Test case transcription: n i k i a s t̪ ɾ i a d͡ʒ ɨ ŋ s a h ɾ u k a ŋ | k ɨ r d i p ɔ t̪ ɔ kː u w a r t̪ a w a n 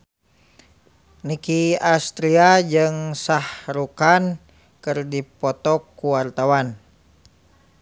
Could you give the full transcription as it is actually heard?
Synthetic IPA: n i k i a s t̪ ɾ i a d͡ʒ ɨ ŋ s a h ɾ u k a n | k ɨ r d i p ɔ t̪ ɔ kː u w a r t̪ a w a n